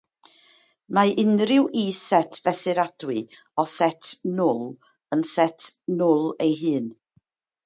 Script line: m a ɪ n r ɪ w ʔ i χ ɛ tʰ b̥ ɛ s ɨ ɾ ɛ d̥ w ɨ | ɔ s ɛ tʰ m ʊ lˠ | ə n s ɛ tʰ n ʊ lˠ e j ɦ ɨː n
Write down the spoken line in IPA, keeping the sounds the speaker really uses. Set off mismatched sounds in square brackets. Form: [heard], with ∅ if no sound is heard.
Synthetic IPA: m a ɪ n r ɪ w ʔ i [s] ɛ tʰ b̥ ɛ s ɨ ɾ [a] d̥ w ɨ | ɔ s ɛ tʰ [n] ʊ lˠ | ə n s ɛ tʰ n ʊ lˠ e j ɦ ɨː n